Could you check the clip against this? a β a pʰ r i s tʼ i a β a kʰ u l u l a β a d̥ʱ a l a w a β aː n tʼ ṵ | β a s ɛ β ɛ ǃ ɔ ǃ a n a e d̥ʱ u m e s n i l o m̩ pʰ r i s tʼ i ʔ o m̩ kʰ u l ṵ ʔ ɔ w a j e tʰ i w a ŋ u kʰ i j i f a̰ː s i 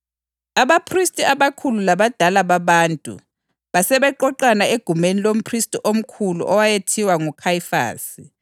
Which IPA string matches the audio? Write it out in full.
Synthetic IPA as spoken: a β a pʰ r i s tʼ i a β a kʰ u l u l a β a d̥ʱ a l a β a β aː n tʼ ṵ | β a s ɛ β ɛ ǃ ɔ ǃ a n a e ɡ̥ʱ u m e n i l o m̩ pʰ r i s tʼ i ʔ o m̩ kʰ u l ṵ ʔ ɔ w a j e tʰ i w a ŋ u kʰ a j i f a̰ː s i